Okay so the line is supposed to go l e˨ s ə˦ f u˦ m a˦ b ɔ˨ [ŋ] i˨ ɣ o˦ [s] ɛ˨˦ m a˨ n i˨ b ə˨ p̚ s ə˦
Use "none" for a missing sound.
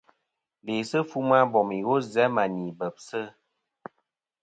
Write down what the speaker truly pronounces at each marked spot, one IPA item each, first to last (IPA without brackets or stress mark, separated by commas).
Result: m, z